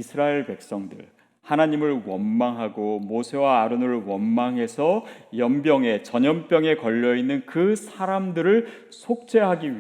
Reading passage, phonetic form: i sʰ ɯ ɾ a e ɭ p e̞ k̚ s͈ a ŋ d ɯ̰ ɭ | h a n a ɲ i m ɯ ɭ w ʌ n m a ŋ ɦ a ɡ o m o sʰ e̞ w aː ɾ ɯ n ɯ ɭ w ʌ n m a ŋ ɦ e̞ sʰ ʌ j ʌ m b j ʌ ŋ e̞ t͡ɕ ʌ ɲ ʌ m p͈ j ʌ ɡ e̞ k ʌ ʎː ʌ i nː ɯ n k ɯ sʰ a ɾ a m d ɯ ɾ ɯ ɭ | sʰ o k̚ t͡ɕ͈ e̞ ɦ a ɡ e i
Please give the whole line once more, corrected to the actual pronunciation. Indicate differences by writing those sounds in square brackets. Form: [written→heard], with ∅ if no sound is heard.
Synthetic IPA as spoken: i sʰ ɯ ɾ a e ɭ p e̞ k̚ s͈ [a→ʌ] ŋ d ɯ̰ ɭ | h a n a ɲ i m ɯ ɭ w ʌ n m a ŋ ɦ a ɡ o m o sʰ e̞ w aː ɾ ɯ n ɯ ɭ w ʌ n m a ŋ ɦ e̞ sʰ ʌ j ʌ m b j ʌ ŋ e̞ t͡ɕ ʌ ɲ ʌ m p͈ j ʌ [ɡ→ŋ] e̞ k ʌ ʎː ʌ i nː ɯ n k ɯ sʰ a ɾ a m d ɯ ɾ ɯ ɭ | sʰ o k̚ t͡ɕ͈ e̞ ɦ a ɡ [e→i] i